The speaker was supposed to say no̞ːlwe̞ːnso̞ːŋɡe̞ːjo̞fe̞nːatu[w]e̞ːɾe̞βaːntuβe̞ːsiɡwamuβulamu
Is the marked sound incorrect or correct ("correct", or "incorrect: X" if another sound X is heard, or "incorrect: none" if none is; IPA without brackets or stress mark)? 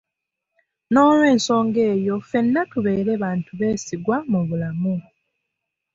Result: incorrect: β